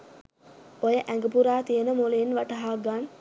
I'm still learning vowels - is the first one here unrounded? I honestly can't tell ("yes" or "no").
no